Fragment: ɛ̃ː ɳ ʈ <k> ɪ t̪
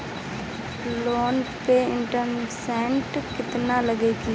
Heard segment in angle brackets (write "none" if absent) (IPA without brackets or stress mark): k